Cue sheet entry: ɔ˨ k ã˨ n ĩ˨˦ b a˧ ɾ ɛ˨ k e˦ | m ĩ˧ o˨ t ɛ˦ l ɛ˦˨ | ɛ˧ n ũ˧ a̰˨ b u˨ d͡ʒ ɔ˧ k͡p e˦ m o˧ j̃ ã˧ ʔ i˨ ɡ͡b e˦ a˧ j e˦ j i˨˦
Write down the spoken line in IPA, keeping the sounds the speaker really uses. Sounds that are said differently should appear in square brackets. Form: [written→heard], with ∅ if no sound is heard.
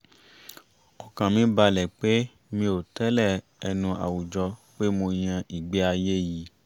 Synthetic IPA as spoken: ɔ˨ k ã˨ [n→m] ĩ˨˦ b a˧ [ɾ→l] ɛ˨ [k→k͡p] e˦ | m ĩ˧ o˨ t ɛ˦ l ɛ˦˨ | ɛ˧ n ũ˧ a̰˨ [b→w] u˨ d͡ʒ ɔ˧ k͡p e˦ m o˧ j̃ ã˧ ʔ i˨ ɡ͡b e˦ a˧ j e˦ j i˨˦